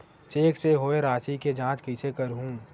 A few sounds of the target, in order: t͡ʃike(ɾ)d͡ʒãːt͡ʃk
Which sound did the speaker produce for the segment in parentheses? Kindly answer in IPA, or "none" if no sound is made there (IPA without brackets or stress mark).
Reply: none